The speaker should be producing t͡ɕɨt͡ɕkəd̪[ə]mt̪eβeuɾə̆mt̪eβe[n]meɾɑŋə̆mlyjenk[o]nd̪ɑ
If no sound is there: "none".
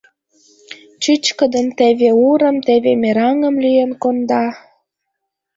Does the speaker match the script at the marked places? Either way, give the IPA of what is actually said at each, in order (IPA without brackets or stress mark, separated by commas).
ə, none, o